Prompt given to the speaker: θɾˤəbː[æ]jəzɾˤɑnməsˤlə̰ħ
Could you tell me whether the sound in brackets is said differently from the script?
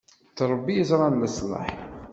yes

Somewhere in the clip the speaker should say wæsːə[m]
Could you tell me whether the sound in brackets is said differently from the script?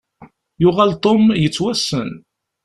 yes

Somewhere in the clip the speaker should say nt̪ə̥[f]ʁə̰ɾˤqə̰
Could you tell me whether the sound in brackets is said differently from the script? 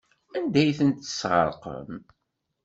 yes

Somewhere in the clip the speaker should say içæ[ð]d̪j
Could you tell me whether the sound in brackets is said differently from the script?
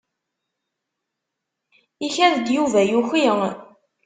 no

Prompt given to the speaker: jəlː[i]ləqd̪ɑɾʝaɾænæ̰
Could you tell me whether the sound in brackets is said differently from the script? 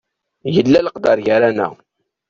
yes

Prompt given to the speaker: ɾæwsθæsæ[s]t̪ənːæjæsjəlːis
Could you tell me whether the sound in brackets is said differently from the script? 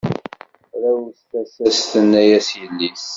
no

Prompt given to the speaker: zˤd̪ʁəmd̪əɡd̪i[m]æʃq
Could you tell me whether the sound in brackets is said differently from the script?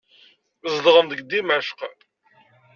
no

